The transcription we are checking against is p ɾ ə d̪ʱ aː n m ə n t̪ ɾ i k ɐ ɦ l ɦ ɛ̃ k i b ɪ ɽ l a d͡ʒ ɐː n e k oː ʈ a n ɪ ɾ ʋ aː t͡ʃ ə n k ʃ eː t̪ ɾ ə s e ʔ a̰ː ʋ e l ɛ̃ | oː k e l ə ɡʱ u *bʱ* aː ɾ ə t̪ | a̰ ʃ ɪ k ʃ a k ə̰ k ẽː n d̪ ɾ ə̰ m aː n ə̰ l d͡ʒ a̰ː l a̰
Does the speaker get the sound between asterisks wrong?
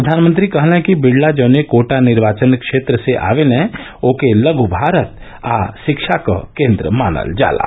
no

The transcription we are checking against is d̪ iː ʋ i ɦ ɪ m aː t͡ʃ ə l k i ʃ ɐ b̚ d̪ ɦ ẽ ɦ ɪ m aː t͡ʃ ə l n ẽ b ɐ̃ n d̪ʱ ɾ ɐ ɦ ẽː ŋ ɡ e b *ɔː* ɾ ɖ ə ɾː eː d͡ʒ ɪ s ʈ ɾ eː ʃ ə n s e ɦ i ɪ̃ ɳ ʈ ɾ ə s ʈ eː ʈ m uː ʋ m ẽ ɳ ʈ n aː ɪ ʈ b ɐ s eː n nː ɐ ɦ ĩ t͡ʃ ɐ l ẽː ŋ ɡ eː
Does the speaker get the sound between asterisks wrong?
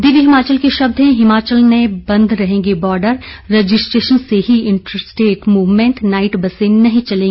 no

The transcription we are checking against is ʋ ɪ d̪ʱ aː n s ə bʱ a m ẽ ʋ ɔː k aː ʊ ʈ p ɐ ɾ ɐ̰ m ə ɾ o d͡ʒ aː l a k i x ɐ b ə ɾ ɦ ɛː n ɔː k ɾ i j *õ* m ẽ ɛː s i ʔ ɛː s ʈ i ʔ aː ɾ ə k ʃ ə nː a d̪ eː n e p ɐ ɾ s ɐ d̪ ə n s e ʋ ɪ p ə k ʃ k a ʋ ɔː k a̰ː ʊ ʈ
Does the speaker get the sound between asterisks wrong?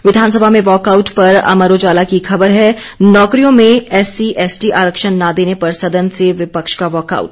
no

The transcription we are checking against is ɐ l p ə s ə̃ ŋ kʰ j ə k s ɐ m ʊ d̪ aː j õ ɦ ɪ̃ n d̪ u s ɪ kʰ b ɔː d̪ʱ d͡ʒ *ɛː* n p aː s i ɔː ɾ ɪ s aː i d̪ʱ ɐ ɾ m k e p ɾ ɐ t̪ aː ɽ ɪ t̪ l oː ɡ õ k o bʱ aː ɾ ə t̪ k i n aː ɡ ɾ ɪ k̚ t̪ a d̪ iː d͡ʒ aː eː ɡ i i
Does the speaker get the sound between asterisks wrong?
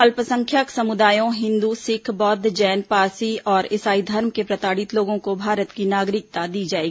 no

